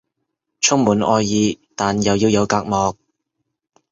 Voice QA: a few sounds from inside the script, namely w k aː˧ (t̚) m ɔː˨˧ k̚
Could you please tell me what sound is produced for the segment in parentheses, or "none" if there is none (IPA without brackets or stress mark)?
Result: k̚